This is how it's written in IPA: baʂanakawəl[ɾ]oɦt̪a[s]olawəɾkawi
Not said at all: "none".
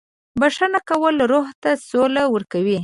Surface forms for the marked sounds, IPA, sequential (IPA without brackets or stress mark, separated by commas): ɾ, s